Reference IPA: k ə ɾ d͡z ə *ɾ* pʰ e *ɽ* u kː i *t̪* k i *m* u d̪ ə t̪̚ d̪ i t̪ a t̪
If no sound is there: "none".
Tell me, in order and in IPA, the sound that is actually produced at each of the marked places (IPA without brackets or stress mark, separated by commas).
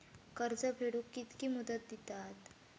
none, ɽ, t̪, m